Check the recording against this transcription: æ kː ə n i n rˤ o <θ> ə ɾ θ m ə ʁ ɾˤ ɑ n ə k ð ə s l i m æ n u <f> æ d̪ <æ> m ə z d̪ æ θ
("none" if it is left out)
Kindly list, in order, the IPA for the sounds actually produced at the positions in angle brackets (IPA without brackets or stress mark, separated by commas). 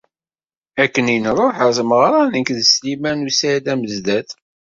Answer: ħ, s, æ